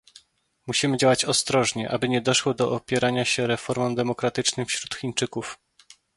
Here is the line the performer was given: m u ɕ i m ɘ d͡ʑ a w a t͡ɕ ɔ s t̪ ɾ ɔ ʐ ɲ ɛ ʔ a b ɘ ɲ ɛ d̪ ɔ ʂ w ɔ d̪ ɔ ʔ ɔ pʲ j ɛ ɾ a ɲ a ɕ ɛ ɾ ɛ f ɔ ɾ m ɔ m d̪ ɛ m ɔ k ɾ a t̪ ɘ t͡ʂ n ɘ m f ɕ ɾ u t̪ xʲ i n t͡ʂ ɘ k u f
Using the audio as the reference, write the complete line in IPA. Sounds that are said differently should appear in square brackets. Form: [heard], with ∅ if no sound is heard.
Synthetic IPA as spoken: m u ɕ i m ɘ d͡ʑ a w a t͡ɕ ɔ s t̪ ɾ ɔ ʐ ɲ ɛ ʔ a b ɘ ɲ ɛ d̪ ɔ ʂ w ɔ d̪ ɔ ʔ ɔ pʲ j ɛ ɾ a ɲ a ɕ ɛ ɾ ɛ f ɔ ɾ m ɔ m d̪ ɛ m ɔ k ɾ a t̪ ɘ t͡ʂ n ɘ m f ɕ ɾ u t̪ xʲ i n t͡ʂ ɘ k u f